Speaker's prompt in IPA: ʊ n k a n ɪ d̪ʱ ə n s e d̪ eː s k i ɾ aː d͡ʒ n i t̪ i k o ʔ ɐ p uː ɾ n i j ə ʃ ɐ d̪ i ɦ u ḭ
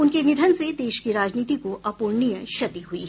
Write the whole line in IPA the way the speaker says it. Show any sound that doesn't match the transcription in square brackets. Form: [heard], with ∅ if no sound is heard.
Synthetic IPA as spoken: ʊ n k [e] n ɪ d̪ʱ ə n s e d̪ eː [ʃ] k i ɾ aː d͡ʒ n [iː] t̪ i k o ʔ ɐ p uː ɾ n i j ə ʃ ɐ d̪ i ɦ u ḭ